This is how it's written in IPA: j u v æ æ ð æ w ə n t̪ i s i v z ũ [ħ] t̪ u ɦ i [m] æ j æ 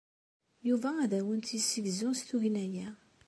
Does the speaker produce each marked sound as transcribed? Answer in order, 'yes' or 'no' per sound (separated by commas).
no, no